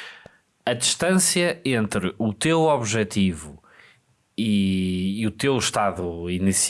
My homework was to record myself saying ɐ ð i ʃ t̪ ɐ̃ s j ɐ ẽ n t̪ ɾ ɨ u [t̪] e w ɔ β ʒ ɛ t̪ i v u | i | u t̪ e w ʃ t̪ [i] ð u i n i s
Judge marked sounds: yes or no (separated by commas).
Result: yes, no